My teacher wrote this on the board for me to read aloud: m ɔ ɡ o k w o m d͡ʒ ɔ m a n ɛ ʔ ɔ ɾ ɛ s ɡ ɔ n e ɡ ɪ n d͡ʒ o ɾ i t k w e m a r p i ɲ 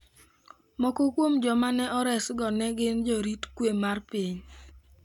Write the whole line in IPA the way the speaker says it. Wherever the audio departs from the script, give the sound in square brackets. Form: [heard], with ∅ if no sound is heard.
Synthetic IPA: m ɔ [k] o k w o m d͡ʒ ɔ m a n ɛ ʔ ɔ ɾ ɛ s ɡ ɔ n [ɛ] ɡ ɪ n d͡ʒ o ɾ i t k w e m a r p i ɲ